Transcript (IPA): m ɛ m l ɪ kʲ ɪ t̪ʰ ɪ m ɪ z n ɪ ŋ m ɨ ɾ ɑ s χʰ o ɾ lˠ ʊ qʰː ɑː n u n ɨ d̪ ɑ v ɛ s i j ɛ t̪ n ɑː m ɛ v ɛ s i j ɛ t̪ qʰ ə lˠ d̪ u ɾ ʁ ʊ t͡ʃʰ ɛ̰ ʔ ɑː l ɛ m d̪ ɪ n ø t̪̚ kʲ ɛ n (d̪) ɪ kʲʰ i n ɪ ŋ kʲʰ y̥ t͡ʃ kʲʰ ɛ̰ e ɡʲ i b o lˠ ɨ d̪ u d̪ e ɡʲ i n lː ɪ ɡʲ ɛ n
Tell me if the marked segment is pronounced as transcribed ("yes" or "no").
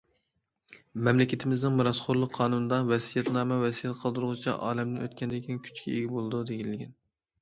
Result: yes